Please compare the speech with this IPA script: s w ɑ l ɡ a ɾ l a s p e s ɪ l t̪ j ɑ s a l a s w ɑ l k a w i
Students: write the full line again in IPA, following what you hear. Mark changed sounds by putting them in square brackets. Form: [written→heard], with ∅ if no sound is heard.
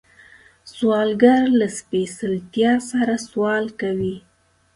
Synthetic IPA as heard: s w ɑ l ɡ a ɾ l a s p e s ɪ l t̪ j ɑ s a [l→ɾ] a s w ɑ l k a w i